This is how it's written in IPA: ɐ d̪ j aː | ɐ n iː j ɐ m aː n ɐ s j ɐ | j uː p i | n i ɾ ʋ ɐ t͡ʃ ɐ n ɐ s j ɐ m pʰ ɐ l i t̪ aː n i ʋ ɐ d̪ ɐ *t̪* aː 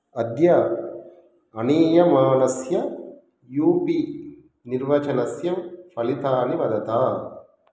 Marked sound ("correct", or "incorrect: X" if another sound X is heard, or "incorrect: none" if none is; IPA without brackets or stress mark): correct